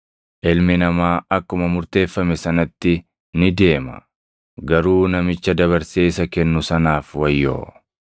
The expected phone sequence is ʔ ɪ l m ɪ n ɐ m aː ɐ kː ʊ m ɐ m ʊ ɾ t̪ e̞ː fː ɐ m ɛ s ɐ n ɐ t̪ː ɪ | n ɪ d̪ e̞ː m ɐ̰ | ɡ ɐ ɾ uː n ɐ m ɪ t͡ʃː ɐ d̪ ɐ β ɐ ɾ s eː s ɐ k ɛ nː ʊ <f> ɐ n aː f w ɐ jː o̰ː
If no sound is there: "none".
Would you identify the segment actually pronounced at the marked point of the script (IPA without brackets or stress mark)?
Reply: s